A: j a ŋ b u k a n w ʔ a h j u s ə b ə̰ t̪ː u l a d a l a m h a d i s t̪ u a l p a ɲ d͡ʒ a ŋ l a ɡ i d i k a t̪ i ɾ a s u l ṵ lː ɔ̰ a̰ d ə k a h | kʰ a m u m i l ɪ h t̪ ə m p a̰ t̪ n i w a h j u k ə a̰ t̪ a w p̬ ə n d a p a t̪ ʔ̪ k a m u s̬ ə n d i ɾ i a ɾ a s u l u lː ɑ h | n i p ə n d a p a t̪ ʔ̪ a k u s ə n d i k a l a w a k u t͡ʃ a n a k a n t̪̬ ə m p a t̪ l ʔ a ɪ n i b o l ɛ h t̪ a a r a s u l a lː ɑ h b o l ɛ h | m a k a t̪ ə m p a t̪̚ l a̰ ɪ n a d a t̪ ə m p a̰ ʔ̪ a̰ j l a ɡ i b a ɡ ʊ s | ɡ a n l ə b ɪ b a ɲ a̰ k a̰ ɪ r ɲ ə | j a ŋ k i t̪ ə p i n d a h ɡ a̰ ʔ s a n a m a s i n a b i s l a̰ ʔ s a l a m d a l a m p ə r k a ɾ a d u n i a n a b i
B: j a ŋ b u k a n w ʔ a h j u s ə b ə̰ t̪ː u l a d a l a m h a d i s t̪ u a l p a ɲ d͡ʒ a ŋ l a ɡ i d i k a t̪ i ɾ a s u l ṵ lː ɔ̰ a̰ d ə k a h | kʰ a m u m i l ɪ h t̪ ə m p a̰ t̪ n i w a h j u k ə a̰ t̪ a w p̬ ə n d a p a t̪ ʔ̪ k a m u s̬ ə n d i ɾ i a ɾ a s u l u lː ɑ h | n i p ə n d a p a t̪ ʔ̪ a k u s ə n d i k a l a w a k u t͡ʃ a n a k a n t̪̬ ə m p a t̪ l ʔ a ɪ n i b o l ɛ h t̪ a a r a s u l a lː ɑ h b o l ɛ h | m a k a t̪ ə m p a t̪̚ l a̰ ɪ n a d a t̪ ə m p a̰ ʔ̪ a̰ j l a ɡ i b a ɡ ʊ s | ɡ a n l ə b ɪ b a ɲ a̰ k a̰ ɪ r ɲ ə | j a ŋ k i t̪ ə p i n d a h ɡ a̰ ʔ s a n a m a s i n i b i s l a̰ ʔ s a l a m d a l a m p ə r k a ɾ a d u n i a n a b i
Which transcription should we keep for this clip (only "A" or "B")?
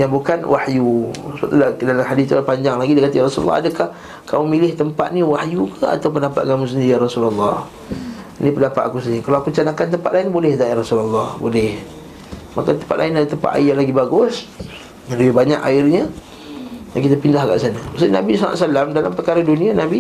A